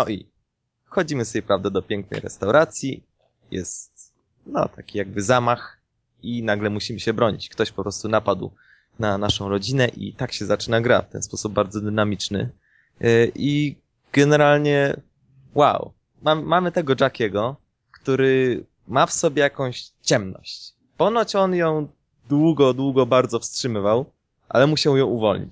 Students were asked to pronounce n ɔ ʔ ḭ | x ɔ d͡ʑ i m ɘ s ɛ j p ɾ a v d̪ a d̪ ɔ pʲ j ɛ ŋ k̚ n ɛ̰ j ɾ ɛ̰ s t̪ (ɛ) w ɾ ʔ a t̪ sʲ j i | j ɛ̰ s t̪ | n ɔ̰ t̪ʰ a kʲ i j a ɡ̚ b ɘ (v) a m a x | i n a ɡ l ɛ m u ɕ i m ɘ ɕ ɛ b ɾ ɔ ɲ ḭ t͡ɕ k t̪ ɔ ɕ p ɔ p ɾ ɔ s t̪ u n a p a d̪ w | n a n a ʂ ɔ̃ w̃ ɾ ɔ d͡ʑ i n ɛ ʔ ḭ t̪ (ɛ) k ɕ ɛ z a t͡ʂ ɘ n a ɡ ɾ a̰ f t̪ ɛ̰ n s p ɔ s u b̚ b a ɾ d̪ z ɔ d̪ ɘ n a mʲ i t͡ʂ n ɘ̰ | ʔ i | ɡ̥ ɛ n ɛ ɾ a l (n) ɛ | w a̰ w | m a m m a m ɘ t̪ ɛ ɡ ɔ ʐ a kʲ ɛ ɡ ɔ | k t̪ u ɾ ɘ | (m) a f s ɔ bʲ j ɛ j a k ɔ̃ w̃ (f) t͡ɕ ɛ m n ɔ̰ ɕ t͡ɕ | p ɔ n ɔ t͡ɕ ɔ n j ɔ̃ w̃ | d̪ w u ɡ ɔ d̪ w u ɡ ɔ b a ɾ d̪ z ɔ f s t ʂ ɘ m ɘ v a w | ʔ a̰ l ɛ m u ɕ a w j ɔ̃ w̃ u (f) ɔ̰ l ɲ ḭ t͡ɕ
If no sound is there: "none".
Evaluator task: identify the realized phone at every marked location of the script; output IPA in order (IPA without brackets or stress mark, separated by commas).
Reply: a, z, a, ɲ, m, ɕ, v